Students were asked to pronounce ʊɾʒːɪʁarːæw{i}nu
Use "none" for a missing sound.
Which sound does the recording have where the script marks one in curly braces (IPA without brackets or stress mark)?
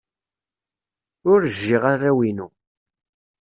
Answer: i